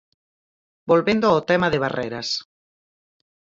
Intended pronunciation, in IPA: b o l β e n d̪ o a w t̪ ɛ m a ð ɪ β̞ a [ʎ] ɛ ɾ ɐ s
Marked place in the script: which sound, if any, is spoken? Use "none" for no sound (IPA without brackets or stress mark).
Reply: r